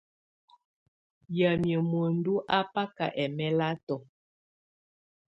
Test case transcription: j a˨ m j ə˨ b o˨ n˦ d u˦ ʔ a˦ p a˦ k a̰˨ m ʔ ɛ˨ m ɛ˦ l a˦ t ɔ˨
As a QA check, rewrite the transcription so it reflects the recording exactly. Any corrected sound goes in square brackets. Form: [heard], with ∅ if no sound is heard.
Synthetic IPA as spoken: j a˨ m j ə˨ [m] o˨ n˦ d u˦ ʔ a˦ p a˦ k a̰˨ [∅] ʔ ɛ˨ m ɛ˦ l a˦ t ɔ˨